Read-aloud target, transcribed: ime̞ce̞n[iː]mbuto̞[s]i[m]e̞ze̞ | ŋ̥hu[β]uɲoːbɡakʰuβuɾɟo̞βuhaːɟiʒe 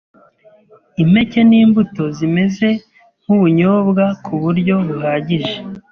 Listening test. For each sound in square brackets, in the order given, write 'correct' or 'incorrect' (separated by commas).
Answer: correct, incorrect, correct, correct